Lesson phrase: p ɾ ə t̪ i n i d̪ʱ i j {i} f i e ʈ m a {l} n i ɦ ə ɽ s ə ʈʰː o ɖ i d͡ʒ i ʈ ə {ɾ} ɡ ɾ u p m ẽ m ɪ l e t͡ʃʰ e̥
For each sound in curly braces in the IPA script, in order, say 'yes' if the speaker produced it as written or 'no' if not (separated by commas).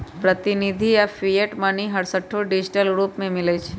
no, no, no